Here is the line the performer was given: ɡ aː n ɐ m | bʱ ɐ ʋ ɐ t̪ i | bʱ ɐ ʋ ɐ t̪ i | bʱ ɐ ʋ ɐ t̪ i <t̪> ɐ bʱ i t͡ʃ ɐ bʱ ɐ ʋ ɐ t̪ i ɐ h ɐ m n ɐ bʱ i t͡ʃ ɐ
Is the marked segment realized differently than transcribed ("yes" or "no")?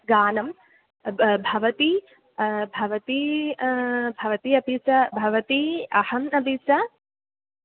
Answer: yes